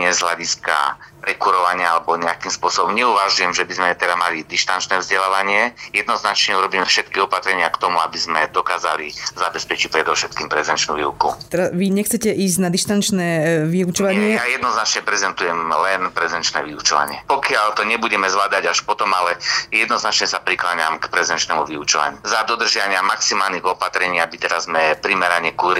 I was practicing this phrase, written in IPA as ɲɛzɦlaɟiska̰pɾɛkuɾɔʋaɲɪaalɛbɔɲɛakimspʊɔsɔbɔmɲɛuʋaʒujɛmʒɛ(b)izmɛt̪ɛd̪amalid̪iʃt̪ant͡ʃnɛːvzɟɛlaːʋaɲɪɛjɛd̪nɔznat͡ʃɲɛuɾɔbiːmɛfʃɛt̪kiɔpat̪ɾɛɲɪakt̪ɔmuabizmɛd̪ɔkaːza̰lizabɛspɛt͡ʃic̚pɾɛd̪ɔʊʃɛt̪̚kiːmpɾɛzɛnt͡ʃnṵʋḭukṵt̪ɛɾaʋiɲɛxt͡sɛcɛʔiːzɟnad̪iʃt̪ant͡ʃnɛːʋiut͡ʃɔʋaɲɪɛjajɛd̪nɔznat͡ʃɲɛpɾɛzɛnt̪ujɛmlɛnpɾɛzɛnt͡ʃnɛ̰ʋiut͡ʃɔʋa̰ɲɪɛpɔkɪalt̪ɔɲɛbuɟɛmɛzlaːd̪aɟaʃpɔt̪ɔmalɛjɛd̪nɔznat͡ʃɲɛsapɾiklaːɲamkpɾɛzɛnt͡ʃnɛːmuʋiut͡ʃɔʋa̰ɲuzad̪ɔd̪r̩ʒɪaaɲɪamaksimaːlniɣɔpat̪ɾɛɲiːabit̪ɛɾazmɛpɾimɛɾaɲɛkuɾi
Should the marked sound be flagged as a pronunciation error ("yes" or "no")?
no